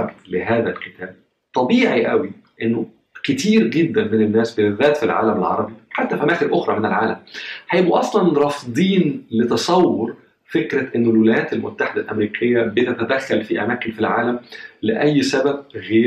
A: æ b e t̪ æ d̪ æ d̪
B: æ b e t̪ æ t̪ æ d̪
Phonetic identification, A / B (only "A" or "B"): B